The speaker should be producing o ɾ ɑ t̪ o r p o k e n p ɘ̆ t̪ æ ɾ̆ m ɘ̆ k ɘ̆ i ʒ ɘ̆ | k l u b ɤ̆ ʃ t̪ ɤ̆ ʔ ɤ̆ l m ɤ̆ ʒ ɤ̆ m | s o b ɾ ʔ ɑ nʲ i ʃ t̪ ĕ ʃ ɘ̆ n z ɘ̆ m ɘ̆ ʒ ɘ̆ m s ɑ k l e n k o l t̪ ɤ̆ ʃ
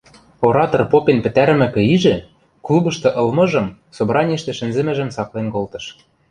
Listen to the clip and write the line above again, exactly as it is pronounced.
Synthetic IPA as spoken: o ɾ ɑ t̪ o r p o p e n p ɘ̆ t̪ æ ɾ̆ m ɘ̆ k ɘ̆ i ʒ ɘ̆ | k l u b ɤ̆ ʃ t̪ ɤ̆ ʔ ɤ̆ l m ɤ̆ ʒ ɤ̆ m | s o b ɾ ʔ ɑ nʲ i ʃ t̪ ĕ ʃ ɘ̆ n z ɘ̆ m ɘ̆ ʒ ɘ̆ m s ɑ k l e n k o l t̪ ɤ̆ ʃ